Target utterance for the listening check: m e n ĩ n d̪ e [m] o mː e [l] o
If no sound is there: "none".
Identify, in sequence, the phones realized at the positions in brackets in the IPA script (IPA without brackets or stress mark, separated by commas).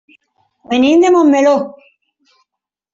m, l